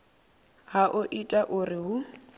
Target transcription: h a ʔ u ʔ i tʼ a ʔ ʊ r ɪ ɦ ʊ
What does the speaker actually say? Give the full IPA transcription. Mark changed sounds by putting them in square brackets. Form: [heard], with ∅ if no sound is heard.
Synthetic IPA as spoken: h a ʔ [ʊ] ʔ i tʼ a ʔ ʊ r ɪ ɦ ʊ